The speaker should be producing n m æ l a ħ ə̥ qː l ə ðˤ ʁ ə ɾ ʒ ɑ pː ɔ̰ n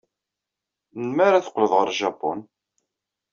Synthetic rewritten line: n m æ ɾ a θ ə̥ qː l ə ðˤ ʁ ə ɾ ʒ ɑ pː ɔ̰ n